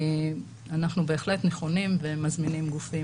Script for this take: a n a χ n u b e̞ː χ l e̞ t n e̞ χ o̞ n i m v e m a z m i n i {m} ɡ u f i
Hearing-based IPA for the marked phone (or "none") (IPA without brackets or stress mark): m